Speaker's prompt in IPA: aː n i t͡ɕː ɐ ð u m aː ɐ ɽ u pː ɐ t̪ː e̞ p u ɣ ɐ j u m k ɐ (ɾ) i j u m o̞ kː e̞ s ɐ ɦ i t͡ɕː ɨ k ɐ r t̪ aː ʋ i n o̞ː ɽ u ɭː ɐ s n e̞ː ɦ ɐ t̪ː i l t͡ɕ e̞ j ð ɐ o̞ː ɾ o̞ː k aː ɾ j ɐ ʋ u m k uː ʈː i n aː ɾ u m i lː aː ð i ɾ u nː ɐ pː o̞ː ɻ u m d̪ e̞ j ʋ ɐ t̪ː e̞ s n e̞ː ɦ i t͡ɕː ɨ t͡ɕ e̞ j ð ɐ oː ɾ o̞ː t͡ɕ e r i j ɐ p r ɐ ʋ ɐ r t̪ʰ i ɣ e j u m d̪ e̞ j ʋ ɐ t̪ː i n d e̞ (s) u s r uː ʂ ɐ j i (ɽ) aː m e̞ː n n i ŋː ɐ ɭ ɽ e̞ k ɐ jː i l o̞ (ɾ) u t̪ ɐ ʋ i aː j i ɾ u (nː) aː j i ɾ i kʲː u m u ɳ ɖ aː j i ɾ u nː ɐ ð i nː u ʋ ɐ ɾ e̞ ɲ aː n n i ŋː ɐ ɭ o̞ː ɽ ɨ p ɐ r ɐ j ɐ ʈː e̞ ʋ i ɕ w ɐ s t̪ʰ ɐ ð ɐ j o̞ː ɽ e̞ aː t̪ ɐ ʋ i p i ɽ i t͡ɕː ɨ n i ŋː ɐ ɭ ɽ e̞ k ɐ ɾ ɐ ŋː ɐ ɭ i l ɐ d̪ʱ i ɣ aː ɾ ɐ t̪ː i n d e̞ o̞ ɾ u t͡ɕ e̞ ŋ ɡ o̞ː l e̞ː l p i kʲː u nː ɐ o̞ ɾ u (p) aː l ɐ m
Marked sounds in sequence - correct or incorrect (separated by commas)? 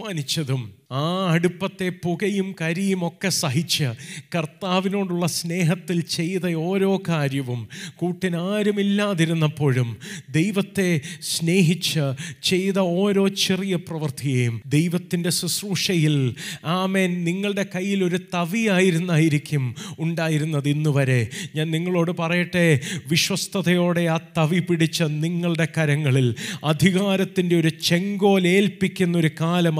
correct, correct, incorrect, correct, correct, incorrect